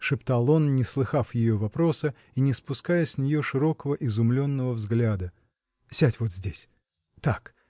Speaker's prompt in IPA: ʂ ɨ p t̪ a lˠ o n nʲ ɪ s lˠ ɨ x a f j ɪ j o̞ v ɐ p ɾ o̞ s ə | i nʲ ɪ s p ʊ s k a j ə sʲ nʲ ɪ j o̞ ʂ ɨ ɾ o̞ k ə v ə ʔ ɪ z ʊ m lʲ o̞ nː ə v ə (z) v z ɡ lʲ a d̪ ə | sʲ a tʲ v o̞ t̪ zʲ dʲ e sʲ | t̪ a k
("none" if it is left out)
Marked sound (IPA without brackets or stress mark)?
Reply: none